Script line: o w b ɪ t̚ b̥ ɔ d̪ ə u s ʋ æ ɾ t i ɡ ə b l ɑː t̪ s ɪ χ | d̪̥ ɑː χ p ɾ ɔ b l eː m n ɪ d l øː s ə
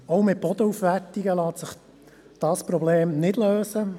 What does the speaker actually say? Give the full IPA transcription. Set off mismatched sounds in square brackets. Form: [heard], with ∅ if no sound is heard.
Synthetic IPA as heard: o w [m] ɪ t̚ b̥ ɔ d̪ ə u [f] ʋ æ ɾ t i ɡ ə [∅] l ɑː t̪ s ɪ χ | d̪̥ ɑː [s] p ɾ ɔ b l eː m n ɪ d l øː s ə